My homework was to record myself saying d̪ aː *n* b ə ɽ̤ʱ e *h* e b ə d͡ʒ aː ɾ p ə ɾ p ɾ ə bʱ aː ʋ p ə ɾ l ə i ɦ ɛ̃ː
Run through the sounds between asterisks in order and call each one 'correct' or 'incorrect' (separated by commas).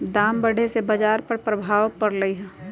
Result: incorrect, incorrect